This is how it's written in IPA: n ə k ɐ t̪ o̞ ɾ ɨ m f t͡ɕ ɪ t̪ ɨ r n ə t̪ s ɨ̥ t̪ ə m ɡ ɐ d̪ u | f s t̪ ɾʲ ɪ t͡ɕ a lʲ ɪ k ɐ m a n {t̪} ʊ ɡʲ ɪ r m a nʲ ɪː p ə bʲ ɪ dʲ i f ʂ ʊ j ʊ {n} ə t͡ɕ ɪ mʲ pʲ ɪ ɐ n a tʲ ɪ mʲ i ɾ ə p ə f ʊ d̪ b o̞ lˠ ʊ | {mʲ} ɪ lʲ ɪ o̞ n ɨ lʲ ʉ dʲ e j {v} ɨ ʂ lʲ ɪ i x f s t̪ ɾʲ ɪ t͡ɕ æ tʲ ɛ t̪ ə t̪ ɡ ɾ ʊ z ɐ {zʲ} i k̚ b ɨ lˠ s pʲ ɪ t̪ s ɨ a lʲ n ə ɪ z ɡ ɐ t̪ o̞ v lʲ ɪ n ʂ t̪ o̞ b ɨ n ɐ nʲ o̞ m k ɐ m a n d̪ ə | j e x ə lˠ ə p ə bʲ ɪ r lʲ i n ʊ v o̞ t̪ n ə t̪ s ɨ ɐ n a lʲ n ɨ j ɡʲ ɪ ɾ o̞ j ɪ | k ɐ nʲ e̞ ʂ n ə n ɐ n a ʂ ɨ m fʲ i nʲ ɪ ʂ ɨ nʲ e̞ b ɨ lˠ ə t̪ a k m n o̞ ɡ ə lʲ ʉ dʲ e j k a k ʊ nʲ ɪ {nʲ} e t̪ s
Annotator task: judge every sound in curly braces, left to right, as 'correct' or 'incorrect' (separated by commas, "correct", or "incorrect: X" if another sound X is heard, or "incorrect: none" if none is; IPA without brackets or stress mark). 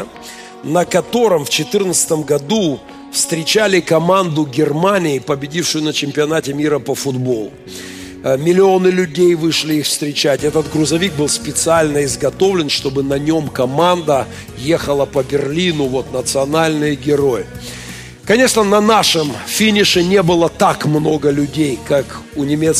incorrect: d̪, correct, correct, correct, incorrect: vʲ, incorrect: mʲ